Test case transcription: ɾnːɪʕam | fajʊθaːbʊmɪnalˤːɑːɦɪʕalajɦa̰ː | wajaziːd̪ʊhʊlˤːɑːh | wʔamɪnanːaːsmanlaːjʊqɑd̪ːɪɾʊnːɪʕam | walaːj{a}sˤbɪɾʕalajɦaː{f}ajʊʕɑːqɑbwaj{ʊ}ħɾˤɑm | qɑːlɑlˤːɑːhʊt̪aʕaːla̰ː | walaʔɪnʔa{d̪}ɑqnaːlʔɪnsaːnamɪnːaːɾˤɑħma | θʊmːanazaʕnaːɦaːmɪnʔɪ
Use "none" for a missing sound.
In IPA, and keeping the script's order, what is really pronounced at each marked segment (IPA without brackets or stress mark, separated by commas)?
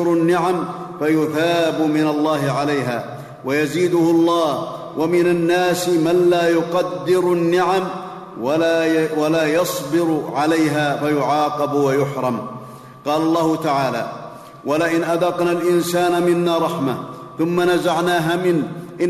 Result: ɑ, f, ʊ, d̪